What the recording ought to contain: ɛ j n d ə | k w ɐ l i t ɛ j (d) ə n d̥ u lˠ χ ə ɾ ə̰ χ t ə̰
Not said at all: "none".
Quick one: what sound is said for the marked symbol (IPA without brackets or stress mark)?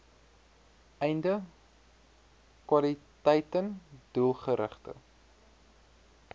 t